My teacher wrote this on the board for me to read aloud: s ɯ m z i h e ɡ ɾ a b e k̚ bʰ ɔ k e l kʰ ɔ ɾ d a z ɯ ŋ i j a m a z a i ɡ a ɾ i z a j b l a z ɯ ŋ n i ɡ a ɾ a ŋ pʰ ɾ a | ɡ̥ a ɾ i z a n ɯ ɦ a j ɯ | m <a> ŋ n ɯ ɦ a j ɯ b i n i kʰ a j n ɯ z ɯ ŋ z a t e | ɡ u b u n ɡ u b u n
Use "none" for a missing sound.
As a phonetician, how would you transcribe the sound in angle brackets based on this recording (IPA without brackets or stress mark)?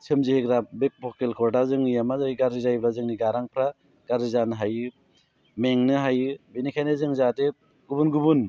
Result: e